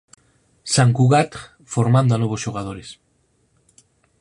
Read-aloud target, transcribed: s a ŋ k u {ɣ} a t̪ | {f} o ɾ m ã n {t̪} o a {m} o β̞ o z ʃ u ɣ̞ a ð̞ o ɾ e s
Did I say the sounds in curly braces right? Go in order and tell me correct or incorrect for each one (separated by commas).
correct, correct, incorrect, incorrect